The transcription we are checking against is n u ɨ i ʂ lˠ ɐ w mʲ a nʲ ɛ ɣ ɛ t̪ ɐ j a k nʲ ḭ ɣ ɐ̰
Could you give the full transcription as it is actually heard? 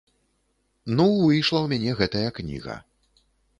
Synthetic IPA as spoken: n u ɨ j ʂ lˠ ɐ w mʲ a nʲ ɛ ɣ ɛ t̪ ɐ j ɐ k nʲ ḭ ɣ ɐ̰